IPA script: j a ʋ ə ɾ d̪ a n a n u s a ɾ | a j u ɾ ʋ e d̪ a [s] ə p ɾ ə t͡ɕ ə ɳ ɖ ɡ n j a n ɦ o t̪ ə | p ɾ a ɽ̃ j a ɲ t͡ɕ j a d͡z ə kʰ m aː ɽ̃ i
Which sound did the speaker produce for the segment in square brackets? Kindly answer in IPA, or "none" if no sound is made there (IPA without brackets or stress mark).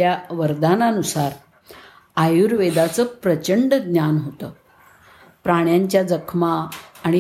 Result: t͡s